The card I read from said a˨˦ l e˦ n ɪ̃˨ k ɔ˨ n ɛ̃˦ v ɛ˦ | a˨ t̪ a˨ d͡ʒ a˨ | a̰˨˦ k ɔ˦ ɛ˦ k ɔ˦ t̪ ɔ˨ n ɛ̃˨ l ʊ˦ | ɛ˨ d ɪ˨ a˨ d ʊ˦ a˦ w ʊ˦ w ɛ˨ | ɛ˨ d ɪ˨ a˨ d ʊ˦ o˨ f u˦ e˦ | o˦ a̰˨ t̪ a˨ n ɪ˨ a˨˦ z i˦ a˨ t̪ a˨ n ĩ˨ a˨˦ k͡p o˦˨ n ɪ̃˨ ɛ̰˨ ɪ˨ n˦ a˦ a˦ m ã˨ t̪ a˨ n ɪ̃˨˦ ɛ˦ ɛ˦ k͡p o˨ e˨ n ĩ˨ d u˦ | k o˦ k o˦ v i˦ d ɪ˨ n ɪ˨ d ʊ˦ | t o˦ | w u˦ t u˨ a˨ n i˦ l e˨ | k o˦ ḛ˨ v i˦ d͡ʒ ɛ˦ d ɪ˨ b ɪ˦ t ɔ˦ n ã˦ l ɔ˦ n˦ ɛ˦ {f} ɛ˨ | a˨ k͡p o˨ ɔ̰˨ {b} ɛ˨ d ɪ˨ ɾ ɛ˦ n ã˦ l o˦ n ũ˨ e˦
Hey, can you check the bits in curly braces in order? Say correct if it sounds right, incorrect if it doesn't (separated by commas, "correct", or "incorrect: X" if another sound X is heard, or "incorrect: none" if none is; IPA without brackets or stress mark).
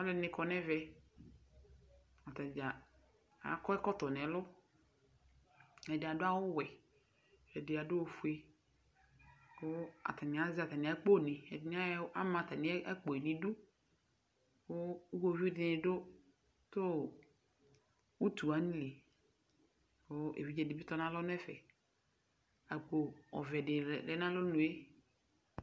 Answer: correct, incorrect: v